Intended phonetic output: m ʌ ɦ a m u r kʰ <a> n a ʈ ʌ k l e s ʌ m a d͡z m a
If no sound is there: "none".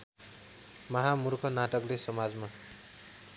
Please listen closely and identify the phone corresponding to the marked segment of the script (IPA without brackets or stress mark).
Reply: ʌ